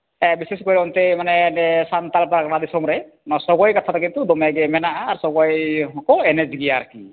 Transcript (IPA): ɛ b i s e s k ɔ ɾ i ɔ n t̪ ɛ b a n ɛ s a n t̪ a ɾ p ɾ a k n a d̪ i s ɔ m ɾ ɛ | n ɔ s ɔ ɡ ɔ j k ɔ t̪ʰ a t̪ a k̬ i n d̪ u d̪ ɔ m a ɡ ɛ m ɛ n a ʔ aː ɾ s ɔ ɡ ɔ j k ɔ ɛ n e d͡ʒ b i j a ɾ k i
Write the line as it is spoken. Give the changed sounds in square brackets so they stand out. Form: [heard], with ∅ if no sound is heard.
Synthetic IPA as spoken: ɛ b i s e s k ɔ ɾ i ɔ n t̪ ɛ [m] a n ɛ s a n t̪ a [l] p ɾ a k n a d̪ i s ɔ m ɾ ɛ | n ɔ s ɔ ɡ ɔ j k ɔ t̪ʰ a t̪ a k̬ i n [t̪] u d̪ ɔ m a ɡ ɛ m ɛ n a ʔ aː ɾ s ɔ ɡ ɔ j k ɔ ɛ n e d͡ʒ [ɡ] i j a ɾ k i